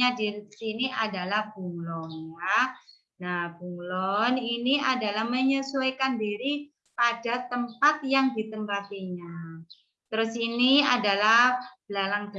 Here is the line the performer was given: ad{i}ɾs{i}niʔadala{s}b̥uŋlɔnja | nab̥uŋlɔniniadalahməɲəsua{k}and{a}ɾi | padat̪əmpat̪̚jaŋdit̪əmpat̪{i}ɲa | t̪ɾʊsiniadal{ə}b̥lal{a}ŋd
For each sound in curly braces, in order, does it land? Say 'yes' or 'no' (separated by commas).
yes, yes, no, yes, no, yes, no, yes